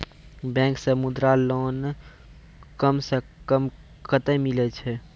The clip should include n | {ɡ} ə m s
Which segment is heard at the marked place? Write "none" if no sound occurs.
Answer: k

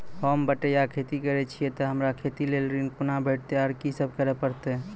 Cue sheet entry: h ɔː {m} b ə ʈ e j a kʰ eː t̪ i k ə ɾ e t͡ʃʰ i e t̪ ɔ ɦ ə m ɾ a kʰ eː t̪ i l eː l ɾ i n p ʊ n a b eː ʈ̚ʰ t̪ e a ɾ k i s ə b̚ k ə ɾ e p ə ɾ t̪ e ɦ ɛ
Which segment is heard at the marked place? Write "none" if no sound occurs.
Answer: m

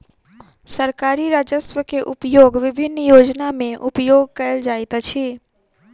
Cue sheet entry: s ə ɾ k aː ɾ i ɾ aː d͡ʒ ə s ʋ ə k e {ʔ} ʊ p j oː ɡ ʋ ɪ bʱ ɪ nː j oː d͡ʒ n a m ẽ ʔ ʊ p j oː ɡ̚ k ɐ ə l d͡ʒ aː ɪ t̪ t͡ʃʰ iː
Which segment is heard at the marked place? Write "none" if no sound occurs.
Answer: ʔ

